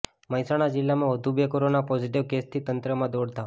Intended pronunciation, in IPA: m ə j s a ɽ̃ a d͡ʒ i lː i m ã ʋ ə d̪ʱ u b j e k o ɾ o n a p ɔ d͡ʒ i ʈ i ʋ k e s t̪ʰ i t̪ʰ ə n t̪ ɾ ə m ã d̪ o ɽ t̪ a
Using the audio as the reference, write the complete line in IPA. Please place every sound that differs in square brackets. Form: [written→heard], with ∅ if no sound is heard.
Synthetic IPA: m ə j s a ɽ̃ a d͡ʒ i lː [i→a] m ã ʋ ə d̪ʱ u b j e k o ɾ o n a p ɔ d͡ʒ i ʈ i ʋ k e s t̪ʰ i [t̪ʰ→t̪] ə n t̪ ɾ ə m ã d̪ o ɽ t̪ a